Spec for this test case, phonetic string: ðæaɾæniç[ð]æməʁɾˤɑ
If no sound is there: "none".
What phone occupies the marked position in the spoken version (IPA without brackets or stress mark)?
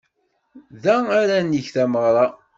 θ